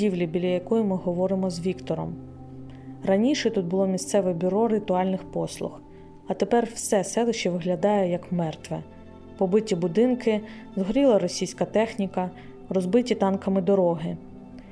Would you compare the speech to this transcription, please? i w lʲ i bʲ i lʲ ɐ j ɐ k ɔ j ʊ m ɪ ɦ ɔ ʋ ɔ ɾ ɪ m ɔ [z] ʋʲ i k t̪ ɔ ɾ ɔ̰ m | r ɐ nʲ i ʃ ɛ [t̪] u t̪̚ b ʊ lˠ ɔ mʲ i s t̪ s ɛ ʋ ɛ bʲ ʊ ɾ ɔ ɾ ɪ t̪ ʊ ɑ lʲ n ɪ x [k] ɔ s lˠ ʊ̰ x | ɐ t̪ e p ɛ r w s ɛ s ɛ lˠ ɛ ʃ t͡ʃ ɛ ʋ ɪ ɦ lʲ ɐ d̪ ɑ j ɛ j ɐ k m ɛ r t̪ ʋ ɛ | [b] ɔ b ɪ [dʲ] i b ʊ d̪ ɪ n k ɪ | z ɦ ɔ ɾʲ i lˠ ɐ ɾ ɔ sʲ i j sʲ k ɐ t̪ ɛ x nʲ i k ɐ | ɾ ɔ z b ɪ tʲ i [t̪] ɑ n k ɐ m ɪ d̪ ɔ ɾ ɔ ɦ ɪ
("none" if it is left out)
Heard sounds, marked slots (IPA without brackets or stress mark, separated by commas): z, t̪, p, p, tʲ, t̪